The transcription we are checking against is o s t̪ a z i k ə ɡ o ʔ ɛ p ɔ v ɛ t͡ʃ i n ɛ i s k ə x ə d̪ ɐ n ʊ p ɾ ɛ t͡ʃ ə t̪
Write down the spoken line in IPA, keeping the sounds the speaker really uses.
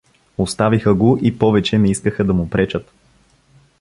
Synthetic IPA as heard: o s t̪ a v i x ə ɡ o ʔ i p ɔ v ɛ t͡ʃ ɛ n ɛ i s k ə x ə d̪ ɐ m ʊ p ɾ ɛ t͡ʃ ə t̪

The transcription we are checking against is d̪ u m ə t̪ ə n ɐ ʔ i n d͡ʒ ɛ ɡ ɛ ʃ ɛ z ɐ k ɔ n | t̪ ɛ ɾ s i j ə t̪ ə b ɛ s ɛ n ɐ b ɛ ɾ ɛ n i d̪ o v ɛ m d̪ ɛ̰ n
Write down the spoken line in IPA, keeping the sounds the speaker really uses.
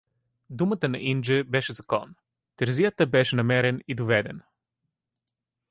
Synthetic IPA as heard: d̪ u m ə t̪ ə n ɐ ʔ i n d͡ʒ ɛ b ɛ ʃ ɛ z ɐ k ɔ n | t̪ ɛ ɾ z i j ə t̪ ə b ɛ ʃ ɛ n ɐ m ɛ ɾ ɛ n i d̪ o v ɛ d̪ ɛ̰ n

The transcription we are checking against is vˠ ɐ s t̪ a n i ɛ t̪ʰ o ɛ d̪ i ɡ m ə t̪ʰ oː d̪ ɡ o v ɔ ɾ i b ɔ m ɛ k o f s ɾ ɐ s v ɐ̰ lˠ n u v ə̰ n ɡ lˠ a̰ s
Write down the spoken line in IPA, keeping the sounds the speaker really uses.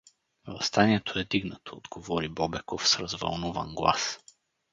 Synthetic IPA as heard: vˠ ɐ s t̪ a n i ɛ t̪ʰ o ɛ d̪ i ɡ n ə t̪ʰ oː d̪ ɡ o v ɔ ɾ i b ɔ b ɛ k o f s ɾ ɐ z v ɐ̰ lˠ n u v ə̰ n ɡ lˠ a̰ s

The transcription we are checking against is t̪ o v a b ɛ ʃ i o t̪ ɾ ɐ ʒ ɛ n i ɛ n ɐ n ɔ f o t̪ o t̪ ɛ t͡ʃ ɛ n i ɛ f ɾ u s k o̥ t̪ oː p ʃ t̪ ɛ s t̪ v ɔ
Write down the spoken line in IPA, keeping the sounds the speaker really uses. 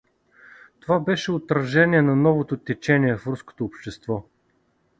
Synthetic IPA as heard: t̪ o v a b ɛ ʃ ɛ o t̪ ɾ ɐ ʒ ɛ n i ɛ n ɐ n ɔ v o t̪ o t̪ ɛ t͡ʃ ɛ n i ɛ f ɾ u s k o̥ t̪ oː p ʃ t̪ ɛ s t̪ v ɔ

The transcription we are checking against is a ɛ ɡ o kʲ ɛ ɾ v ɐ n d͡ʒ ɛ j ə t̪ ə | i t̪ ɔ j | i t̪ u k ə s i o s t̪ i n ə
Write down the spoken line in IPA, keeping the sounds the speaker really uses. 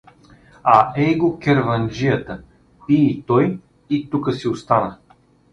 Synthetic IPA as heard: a ɛ ɡ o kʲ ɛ ɾ v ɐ n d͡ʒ i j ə t̪ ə | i t̪ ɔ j | i t̪ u k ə s i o s t̪ a n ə

